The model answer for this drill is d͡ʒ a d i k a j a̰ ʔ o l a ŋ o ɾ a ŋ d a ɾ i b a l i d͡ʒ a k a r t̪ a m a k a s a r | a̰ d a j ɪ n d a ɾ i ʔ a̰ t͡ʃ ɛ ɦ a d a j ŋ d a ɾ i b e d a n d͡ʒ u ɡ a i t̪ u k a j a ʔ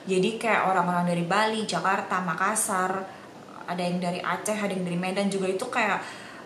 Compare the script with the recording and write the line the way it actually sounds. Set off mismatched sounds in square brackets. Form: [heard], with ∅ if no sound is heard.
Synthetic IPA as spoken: d͡ʒ a d i k a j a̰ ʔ o [ɾ] a ŋ o ɾ a ŋ d a ɾ i b a l i d͡ʒ a k a r t̪ a m a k a s a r | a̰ d a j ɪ [ŋ] d a ɾ i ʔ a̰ t͡ʃ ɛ ɦ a d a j ŋ d a ɾ i [m] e d a n d͡ʒ u ɡ a i t̪ u k a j a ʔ